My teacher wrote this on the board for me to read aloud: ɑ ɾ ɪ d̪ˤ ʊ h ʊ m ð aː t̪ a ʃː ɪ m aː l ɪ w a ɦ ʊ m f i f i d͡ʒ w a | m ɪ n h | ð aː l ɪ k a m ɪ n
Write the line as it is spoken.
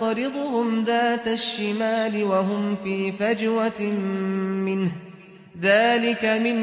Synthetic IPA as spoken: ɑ ɾ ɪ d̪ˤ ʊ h ʊ m ð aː t̪ a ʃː ɪ m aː l ɪ w a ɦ ʊ m f iː f a d͡ʒ w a | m ɪ n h | ð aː l ɪ k a m ɪ n